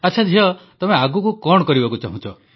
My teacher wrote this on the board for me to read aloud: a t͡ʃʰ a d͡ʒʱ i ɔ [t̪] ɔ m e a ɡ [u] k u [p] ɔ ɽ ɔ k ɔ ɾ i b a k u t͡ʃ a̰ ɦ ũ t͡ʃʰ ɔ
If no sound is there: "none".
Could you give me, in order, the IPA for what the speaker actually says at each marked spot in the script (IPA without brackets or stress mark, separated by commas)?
t̪, u, k